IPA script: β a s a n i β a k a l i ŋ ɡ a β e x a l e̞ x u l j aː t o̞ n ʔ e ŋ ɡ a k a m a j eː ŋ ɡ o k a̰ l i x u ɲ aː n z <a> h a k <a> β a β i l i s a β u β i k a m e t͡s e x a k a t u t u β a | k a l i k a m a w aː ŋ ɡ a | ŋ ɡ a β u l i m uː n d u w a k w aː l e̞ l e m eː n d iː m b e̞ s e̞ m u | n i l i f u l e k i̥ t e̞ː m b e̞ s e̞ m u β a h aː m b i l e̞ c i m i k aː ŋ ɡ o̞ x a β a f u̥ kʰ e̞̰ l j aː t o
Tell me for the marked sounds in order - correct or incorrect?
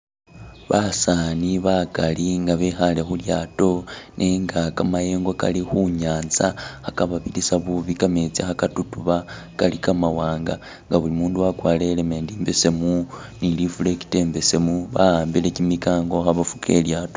correct, correct

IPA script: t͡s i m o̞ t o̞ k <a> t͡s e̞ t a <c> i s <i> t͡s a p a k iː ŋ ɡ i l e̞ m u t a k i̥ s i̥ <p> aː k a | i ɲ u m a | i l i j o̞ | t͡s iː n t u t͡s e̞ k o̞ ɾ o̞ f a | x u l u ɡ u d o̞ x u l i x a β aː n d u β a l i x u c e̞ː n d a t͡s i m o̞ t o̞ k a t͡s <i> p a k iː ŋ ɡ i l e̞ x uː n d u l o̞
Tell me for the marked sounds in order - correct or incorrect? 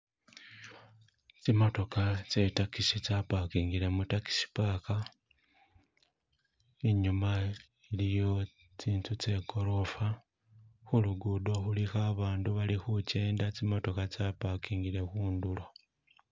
correct, incorrect: k, correct, correct, incorrect: a

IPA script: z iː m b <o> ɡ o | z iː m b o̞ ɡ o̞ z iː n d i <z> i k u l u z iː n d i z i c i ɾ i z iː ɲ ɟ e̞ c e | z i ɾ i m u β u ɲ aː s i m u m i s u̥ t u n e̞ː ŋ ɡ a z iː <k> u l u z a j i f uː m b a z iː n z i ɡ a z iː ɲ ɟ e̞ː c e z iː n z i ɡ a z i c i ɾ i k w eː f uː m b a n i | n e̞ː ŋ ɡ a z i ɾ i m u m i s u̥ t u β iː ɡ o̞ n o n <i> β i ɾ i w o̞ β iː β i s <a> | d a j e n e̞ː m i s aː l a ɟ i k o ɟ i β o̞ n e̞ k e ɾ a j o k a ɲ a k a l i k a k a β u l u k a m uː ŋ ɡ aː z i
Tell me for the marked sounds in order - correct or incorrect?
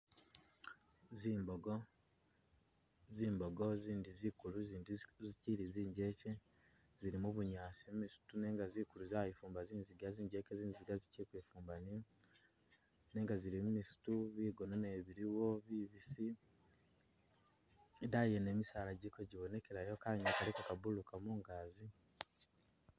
correct, correct, correct, incorrect: e, incorrect: i

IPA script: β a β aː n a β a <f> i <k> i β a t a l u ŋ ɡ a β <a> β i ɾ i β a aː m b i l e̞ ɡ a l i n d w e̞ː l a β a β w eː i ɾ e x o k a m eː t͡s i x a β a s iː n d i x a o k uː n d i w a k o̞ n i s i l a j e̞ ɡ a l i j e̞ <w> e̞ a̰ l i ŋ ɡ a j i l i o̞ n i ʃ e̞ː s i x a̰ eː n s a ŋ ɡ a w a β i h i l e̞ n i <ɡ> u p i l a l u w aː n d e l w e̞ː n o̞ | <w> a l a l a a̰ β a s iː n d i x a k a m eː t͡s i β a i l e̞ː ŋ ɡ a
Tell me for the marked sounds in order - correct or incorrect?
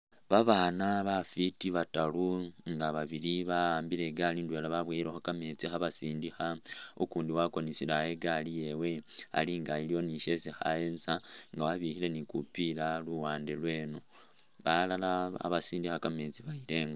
correct, incorrect: t, correct, correct, incorrect: k, incorrect: β

